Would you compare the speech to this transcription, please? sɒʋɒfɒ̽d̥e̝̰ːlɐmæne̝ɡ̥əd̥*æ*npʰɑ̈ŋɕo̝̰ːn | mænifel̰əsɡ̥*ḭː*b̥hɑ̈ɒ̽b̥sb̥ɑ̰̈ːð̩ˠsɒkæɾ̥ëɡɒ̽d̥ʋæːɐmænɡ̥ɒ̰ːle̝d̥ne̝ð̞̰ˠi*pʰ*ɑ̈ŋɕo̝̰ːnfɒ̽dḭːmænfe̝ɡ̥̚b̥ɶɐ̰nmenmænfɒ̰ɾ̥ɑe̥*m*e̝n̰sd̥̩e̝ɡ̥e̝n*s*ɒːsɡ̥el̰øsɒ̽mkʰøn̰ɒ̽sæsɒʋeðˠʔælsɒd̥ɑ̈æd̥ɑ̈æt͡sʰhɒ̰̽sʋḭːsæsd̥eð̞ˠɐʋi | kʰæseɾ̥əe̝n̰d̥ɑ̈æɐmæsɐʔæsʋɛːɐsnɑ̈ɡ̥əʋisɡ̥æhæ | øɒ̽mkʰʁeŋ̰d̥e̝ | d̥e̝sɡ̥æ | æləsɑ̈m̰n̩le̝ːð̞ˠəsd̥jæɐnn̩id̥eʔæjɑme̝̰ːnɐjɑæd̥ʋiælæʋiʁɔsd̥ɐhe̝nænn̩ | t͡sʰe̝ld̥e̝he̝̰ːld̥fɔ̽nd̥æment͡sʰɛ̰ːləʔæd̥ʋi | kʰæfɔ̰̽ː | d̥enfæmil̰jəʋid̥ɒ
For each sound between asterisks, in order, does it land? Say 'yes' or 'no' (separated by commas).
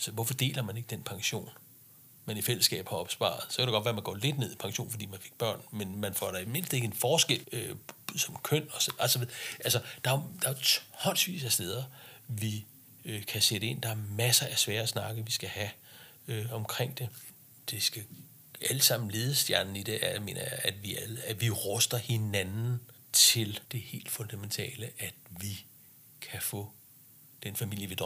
no, no, yes, yes, no